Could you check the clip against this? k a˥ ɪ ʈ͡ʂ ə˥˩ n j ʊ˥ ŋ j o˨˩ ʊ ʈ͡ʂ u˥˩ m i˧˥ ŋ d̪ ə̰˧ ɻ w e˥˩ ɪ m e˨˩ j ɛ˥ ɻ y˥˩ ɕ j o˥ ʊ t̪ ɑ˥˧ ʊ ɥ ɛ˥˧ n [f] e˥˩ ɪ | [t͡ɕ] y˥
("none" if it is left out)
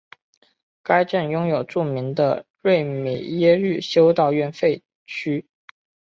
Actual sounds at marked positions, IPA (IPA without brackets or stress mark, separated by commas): f, t͡ɕʰ